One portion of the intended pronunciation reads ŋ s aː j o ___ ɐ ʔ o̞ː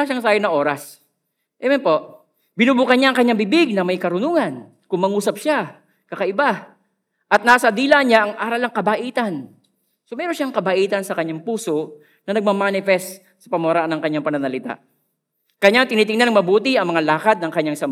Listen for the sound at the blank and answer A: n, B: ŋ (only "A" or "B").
A